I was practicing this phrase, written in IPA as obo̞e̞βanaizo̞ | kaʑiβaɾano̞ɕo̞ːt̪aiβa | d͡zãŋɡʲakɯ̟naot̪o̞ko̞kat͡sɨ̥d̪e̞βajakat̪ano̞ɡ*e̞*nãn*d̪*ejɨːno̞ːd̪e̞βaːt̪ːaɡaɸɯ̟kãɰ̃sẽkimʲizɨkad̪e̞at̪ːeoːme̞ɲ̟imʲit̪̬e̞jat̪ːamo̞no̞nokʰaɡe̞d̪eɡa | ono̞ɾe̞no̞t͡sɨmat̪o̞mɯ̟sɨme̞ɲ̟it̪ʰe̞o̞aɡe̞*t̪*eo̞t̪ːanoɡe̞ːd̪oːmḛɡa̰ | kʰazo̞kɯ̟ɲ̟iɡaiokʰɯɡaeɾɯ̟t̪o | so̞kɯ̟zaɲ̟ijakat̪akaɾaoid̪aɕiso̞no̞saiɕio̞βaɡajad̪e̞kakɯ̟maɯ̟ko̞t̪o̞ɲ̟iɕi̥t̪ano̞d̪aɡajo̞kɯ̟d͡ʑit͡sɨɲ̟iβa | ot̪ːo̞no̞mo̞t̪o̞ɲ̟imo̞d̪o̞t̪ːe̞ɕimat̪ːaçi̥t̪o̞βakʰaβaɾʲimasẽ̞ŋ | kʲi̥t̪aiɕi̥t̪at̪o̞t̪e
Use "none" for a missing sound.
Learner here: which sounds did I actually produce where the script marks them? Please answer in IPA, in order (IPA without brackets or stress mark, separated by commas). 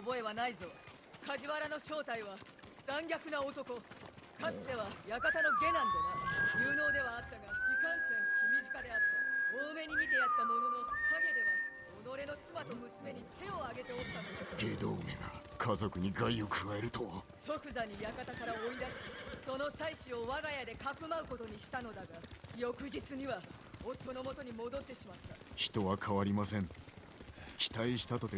e̞, d̪, t̪